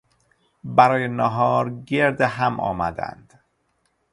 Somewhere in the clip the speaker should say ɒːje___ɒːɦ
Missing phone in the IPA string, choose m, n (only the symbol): n